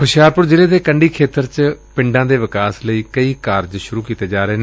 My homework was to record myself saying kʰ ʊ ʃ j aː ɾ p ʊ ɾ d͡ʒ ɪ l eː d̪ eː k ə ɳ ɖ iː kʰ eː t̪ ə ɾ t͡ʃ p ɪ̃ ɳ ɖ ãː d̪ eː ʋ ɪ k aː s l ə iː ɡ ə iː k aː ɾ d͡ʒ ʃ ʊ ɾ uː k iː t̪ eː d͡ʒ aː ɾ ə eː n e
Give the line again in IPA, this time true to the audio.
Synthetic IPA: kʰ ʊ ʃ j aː ɾ p ʊ ɾ d͡ʒ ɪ l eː d̪ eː k ə ɳ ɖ iː kʰ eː t̪ ə ɾ t͡ʃ p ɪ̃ ɳ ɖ ãː d̪ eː ʋ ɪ k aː s l ə iː k ə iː k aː ɾ d͡ʒ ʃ ʊ ɾ uː k iː t̪ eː d͡ʒ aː ɾ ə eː n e